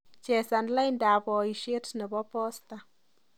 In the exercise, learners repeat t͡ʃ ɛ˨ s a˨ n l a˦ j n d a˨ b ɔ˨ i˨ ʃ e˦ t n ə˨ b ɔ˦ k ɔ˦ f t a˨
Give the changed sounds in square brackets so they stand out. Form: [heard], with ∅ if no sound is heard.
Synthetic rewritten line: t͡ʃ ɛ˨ s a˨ n l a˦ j n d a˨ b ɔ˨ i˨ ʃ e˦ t n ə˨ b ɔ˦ [p] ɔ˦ [s] t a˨